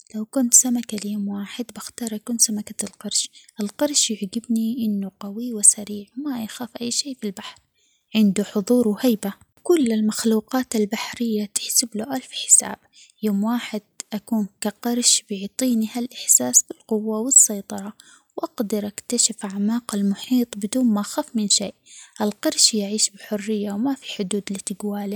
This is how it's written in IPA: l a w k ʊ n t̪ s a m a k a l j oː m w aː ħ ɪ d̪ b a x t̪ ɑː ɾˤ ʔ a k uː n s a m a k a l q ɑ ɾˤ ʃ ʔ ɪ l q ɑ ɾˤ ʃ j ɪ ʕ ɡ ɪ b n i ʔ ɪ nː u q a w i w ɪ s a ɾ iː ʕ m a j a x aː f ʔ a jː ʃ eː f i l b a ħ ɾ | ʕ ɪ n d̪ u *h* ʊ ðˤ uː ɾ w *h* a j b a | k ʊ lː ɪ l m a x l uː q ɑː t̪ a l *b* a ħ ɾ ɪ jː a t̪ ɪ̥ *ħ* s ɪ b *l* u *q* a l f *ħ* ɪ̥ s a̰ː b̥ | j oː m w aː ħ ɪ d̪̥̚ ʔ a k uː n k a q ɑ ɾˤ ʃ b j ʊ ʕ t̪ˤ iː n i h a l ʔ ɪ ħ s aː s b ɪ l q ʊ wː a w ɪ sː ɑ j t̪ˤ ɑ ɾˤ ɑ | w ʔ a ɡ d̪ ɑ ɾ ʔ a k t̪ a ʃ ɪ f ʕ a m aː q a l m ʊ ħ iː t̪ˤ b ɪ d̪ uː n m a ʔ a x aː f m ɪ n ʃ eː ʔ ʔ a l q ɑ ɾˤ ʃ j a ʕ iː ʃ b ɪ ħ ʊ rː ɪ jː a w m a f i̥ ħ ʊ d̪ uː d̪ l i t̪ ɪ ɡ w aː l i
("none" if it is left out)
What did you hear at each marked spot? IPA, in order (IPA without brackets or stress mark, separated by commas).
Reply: ħ, h, b, ħ, l, ʔ, ħ